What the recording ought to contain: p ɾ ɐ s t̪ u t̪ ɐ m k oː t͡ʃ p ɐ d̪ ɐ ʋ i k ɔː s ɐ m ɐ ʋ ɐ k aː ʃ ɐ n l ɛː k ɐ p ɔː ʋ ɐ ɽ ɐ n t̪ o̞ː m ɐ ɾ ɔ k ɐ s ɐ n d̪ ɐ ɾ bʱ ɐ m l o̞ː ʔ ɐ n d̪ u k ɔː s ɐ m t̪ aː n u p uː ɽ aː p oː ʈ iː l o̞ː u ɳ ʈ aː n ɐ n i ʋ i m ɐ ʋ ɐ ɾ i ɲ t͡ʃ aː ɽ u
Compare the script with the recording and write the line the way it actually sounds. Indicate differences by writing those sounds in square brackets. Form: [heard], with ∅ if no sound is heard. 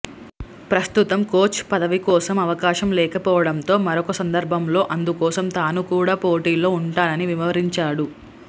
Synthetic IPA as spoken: p ɾ ɐ s t̪ u t̪ ɐ m k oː t͡ʃ p ɐ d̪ ɐ ʋ i k ɔː s ɐ m ɐ ʋ ɐ k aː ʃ ɐ [m] l ɛː k ɐ p ɔː ʋ ɐ ɽ ɐ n t̪ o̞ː m ɐ ɾ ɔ k ɐ s ɐ n d̪ ɐ ɾ bʱ ɐ m l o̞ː ʔ ɐ n d̪ u k ɔː s ɐ m t̪ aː n u [k] uː ɽ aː p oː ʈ iː l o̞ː u ɳ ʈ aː n ɐ n i ʋ i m ɐ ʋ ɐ ɾ i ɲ t͡ʃ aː ɽ u